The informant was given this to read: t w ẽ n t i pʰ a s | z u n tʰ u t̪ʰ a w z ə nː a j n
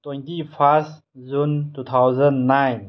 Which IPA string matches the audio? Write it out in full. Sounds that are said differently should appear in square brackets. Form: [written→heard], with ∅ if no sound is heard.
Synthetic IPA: t w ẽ n t i pʰ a s | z u n [tʰ→t] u t̪ʰ a w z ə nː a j n